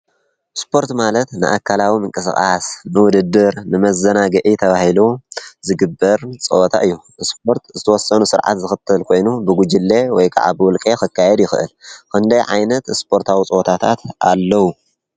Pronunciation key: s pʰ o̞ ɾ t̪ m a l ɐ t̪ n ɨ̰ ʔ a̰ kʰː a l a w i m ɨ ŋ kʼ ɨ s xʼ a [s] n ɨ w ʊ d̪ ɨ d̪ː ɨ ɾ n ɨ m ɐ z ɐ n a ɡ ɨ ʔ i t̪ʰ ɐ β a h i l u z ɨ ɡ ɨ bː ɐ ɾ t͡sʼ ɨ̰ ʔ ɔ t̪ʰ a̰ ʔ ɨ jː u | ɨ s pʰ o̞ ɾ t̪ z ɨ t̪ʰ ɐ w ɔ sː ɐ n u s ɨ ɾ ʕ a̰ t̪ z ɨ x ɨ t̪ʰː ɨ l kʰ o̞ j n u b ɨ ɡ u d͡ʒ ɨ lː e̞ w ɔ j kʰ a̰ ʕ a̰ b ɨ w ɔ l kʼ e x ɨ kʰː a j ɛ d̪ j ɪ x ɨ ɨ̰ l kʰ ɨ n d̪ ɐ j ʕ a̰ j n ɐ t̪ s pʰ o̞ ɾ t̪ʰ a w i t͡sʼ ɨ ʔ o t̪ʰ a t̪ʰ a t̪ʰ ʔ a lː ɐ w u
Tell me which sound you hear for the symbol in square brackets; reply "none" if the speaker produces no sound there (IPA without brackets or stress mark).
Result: s